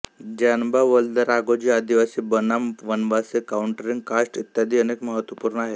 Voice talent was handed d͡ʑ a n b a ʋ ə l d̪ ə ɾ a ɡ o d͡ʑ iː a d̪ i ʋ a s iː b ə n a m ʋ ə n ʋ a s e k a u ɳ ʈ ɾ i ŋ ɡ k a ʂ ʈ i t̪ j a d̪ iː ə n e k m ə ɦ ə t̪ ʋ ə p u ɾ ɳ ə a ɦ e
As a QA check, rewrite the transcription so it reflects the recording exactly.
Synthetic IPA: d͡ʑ a n b a ʋ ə l d̪ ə ɾ a ɡ o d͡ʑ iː a d̪ i ʋ a s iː b ə n a m ʋ ə n ʋ a s e k a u ɳ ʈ ɾ i ŋ ɡ k a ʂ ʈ i t̪ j a d̪ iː ə n e k m ə ɦ ə t̪ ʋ ə p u ɾ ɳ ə a ɦ e